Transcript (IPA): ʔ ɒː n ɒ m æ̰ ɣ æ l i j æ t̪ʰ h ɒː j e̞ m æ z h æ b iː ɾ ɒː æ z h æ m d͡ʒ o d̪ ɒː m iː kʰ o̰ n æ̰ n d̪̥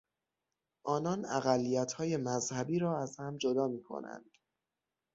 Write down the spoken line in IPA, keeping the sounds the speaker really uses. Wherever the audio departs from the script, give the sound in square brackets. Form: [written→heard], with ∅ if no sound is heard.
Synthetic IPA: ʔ ɒː n ɒ [m→n] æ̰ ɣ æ [l→lː] i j æ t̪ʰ h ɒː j e̞ m æ z h æ b iː ɾ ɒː æ z h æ m d͡ʒ o d̪ ɒː m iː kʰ o̰ n æ̰ n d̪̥